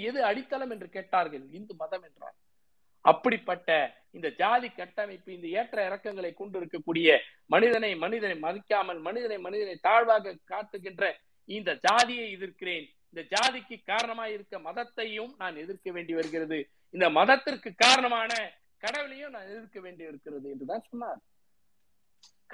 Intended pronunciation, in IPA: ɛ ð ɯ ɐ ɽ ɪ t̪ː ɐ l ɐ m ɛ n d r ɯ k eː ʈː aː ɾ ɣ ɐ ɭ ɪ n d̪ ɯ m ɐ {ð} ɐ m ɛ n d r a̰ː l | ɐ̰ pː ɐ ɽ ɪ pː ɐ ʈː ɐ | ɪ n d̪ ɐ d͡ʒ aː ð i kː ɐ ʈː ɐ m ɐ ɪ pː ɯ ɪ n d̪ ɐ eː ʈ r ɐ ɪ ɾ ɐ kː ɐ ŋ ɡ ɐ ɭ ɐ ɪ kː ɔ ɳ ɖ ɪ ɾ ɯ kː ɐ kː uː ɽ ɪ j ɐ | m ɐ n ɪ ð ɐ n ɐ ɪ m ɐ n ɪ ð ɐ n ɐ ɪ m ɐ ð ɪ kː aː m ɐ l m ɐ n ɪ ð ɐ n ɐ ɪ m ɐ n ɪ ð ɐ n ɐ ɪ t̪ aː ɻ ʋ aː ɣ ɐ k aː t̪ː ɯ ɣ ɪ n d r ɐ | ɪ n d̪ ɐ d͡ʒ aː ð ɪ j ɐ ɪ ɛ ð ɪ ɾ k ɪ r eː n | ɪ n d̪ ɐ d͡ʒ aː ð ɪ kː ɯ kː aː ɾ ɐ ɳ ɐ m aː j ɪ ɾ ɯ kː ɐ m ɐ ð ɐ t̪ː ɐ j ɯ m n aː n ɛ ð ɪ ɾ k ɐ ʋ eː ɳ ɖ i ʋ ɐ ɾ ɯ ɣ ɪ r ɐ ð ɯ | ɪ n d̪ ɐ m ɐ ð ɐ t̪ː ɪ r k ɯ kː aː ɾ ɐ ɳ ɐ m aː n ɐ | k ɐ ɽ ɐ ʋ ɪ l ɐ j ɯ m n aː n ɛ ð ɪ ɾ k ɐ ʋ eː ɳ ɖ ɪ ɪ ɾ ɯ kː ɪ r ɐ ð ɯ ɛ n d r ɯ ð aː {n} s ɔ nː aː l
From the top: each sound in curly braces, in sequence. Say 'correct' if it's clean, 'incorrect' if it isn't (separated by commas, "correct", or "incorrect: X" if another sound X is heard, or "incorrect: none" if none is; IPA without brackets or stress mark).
correct, correct